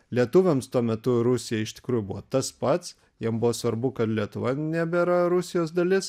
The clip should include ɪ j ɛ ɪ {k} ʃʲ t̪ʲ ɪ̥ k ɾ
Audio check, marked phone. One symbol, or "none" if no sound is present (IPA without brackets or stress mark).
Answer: none